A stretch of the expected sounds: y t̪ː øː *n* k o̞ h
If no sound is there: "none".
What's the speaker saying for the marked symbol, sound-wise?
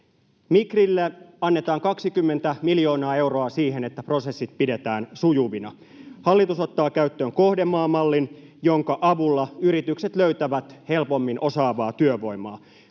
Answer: ŋ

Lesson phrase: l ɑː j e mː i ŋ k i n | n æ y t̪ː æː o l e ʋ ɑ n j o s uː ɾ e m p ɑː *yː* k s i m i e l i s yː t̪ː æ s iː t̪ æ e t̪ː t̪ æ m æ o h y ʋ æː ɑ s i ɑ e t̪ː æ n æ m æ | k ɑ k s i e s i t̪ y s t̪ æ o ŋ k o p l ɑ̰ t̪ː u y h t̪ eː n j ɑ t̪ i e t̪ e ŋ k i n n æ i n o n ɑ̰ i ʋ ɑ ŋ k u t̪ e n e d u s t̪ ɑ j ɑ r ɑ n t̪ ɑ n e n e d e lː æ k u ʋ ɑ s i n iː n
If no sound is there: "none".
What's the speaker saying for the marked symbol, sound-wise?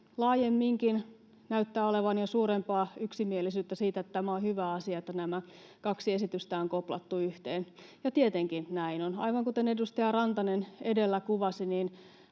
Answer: y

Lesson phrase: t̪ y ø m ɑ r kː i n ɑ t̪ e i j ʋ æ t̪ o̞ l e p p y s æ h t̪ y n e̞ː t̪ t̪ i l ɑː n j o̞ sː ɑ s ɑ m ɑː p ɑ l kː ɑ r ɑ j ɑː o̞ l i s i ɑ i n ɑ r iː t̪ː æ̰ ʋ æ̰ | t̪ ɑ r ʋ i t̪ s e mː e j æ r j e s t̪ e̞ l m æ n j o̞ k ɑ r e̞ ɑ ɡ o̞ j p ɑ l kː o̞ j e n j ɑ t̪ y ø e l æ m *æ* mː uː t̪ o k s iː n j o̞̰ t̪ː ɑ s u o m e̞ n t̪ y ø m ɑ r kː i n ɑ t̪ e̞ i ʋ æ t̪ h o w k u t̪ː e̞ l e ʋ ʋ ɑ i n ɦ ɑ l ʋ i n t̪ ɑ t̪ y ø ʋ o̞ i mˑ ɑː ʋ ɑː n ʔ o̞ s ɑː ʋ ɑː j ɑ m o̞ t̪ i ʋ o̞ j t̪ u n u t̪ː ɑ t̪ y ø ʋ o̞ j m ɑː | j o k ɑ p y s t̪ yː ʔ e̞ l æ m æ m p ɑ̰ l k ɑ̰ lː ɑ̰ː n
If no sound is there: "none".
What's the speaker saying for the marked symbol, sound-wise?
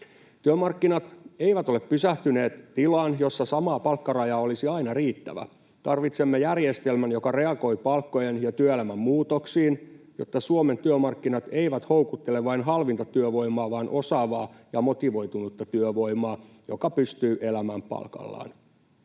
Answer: æ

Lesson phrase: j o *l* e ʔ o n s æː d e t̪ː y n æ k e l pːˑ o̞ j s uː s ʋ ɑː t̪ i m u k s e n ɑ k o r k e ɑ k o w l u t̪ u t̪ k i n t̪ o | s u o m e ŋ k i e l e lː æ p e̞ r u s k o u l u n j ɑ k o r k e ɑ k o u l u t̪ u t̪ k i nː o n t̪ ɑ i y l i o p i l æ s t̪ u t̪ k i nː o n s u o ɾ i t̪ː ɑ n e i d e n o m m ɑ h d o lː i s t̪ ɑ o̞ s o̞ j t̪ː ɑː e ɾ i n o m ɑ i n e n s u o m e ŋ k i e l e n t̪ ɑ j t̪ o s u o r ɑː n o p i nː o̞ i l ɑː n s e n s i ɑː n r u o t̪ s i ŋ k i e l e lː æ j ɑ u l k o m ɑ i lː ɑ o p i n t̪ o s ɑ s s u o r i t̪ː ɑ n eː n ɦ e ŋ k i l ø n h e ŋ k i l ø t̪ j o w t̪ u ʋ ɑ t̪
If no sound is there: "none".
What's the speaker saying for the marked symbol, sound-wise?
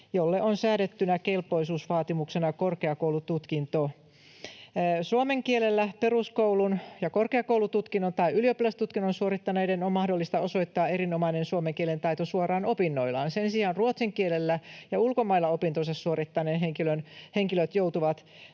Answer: lː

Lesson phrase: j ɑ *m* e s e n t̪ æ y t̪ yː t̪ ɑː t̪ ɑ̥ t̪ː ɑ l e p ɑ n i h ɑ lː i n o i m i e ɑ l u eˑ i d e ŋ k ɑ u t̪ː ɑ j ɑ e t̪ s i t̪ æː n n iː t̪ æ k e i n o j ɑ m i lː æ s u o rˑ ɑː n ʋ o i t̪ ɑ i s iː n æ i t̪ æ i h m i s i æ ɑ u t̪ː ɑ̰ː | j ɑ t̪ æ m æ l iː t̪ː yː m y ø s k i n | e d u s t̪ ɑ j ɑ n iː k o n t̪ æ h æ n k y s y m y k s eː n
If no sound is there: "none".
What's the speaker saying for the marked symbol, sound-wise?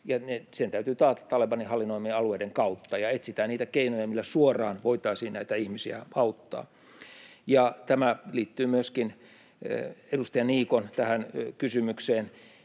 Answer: n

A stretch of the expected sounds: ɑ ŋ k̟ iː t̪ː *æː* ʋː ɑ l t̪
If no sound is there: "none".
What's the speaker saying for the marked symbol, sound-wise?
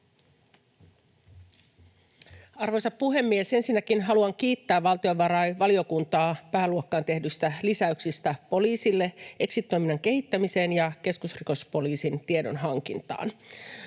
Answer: æː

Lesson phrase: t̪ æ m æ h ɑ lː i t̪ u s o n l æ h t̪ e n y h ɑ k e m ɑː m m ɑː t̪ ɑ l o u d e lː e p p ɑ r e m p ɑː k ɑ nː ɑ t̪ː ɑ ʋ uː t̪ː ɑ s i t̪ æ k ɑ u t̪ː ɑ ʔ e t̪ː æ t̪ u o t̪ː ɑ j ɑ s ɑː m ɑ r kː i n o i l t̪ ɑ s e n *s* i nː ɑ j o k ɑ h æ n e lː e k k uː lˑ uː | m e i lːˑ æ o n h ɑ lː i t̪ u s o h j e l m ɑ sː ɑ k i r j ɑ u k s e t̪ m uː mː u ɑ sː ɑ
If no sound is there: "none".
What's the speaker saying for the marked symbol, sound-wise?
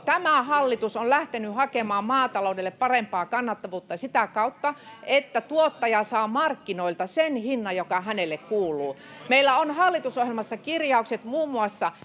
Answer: h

